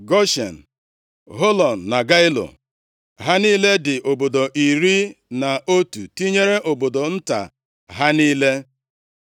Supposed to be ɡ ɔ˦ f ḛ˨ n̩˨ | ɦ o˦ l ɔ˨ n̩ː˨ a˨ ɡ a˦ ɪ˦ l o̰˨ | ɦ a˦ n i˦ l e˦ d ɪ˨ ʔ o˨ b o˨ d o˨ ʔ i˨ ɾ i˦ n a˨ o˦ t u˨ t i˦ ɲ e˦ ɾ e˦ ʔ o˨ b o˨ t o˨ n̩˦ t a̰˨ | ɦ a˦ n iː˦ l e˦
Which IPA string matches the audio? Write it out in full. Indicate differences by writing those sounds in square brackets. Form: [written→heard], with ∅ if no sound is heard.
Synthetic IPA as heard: ɡ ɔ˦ [f→ʃ] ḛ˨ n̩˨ | ɦ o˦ l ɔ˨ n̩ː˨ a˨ ɡ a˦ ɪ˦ l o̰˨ | ɦ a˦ n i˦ l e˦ d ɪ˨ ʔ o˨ b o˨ d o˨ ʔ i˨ ɾ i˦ n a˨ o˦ t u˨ t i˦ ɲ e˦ ɾ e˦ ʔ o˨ b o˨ [t→d] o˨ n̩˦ t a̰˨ | ɦ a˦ n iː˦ l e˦